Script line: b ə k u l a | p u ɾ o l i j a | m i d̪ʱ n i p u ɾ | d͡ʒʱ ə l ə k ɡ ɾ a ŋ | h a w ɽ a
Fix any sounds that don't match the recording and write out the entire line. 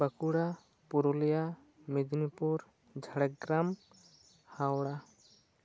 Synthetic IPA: b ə k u ɽ a | p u ɾ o l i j a | m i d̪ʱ n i p u ɾ | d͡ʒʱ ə ɽ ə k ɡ ɾ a m | h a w ɽ a